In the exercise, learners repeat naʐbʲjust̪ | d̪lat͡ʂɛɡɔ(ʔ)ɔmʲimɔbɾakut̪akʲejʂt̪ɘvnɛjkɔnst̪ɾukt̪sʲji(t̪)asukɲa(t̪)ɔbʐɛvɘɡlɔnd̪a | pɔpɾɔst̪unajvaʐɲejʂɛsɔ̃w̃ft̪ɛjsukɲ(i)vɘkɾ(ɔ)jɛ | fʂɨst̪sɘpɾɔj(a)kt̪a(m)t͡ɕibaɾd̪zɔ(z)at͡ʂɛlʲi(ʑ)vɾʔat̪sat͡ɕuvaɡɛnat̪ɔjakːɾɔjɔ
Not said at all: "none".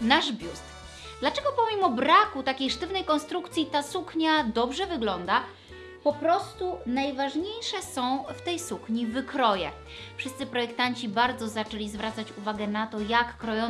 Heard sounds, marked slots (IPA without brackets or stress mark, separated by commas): p, t̪, d̪, i, ɔ, ɛ, ɲ, z, z